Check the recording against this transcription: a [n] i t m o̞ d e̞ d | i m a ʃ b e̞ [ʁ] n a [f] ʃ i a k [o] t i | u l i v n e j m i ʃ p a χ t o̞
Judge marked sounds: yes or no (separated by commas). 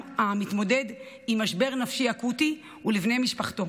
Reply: no, yes, yes, no